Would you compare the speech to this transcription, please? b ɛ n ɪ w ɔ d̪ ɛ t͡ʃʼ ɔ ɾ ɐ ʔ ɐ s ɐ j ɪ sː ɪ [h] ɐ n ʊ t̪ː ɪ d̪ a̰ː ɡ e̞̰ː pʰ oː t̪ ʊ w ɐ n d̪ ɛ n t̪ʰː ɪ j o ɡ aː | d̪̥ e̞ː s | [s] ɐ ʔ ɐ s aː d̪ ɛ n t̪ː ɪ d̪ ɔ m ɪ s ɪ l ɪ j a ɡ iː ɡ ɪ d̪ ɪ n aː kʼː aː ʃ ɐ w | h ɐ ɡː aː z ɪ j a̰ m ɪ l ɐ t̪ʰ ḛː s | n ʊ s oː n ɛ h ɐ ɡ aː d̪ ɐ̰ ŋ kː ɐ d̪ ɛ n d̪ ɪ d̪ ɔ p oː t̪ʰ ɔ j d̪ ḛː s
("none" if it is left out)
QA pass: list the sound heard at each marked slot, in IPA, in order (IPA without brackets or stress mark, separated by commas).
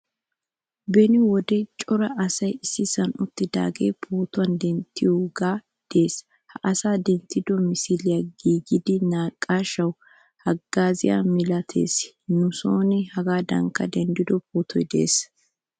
s, h